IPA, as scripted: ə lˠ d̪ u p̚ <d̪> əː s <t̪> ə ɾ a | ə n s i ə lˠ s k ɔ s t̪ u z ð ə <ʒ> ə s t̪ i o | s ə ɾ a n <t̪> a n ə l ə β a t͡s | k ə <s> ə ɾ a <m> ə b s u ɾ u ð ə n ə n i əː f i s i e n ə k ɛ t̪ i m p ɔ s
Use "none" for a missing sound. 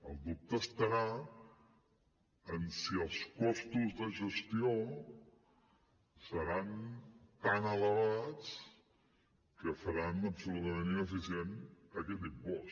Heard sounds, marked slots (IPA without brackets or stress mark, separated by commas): t̪, t̪, ʒ, t̪, f, n